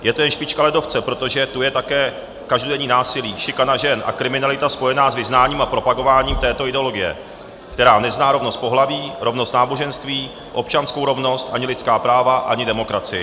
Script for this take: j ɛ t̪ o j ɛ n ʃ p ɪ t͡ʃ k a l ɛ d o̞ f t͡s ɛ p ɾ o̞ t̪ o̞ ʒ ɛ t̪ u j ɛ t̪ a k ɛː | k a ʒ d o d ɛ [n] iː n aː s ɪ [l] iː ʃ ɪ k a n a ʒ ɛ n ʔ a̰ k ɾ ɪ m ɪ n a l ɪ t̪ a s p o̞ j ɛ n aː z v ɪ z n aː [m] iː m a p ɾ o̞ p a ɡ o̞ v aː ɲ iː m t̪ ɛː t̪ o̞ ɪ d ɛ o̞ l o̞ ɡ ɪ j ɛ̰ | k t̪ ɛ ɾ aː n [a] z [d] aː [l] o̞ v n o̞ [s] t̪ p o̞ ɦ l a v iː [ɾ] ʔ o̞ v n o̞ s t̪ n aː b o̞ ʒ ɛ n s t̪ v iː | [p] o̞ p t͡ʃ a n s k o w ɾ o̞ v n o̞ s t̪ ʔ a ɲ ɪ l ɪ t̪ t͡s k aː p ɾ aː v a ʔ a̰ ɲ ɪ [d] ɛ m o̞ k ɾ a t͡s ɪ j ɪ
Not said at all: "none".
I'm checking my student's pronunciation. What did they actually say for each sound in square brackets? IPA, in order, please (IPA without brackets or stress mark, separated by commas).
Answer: ɲ, l, ɲ, ɛ, n, ɾ, s, ɾ, ʔ, d